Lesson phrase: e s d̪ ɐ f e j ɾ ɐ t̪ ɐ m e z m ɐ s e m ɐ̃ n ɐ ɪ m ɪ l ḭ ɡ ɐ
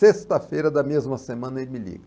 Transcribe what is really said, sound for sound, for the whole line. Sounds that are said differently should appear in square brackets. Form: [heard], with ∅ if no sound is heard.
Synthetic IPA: e s [t̪] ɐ f e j ɾ ɐ [d̪] ɐ m e z m ɐ s e m ɐ̃ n ɐ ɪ m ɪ l ḭ ɡ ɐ